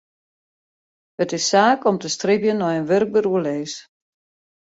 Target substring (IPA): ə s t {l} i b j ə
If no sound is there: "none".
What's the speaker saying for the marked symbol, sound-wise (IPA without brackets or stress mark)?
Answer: r